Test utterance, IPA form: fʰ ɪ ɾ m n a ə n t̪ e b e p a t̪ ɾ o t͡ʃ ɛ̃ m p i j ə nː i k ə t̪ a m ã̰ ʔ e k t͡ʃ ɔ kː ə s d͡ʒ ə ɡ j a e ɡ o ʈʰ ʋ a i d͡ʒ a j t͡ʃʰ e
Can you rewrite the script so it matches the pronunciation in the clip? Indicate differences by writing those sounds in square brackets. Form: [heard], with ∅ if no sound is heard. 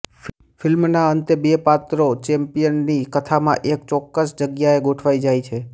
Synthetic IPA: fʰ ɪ [l] m n a ə n t̪ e b e p a t̪ ɾ o t͡ʃ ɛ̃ m p i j ə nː i k ə [t̪ʰ] a m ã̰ ʔ e k t͡ʃ ɔ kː ə s d͡ʒ ə ɡ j a e ɡ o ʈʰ ʋ a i d͡ʒ a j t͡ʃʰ e